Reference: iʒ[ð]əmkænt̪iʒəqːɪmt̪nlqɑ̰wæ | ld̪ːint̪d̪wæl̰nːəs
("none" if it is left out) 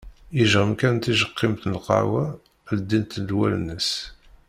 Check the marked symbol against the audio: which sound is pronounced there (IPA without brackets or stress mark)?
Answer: ʁ